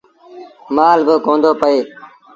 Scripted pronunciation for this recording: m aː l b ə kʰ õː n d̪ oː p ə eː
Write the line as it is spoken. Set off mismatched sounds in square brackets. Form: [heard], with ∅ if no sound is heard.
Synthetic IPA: m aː l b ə [k] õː n d̪ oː p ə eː